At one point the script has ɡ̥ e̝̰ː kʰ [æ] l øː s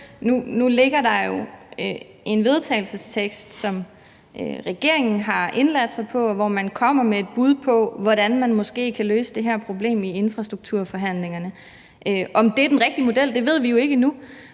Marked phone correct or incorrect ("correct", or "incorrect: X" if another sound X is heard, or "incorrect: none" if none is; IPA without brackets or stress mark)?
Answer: correct